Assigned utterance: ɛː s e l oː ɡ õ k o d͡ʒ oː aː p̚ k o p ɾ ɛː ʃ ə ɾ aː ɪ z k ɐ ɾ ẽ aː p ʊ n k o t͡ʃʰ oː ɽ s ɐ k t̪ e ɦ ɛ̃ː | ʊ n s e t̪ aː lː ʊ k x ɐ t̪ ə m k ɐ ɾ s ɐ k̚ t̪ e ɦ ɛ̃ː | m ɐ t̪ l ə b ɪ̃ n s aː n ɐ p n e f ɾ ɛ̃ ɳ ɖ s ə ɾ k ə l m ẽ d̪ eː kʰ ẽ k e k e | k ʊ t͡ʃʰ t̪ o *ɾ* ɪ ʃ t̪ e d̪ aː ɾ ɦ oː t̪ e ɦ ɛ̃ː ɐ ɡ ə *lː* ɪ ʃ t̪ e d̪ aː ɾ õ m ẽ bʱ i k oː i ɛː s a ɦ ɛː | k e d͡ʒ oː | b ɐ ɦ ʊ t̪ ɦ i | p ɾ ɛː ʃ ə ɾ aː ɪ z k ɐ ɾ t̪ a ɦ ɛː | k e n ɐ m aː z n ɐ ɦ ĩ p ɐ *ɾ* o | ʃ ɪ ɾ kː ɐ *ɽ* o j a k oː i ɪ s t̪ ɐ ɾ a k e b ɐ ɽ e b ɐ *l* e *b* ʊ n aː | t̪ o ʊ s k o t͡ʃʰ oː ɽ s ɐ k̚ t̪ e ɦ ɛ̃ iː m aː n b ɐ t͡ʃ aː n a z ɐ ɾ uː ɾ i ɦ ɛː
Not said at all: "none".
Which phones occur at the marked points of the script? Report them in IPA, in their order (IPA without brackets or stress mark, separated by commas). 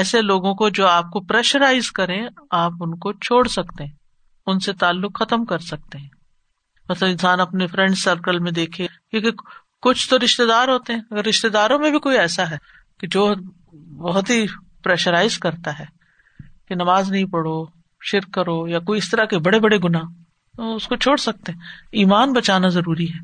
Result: ɾ, ɾː, ɽ, ɾ, ɽ, ɡ